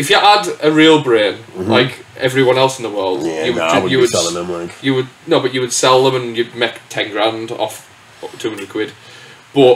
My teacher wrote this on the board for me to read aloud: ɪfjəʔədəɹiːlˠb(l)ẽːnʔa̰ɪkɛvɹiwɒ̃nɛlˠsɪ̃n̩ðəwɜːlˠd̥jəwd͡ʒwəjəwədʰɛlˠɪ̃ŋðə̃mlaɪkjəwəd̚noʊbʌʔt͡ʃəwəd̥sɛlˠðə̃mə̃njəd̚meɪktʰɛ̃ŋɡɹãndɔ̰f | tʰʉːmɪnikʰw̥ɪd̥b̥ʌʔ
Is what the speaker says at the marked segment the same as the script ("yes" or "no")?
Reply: no